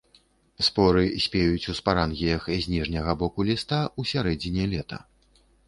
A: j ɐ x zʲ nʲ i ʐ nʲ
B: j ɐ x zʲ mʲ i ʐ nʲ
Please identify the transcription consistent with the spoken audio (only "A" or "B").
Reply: A